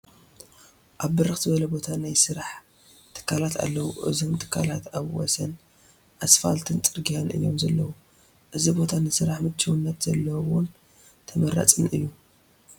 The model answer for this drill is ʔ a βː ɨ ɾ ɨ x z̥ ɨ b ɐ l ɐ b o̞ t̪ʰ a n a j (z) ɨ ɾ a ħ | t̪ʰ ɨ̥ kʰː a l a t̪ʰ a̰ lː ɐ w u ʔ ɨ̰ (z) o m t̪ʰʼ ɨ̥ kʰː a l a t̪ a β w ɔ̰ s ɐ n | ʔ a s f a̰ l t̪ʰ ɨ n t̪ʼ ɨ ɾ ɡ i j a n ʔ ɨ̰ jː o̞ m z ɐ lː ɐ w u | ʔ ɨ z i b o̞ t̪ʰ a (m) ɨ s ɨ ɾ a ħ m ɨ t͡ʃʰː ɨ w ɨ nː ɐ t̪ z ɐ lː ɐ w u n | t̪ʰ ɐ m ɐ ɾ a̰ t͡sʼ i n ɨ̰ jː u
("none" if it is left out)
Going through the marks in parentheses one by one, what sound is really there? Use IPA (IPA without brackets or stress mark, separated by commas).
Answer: s, z, n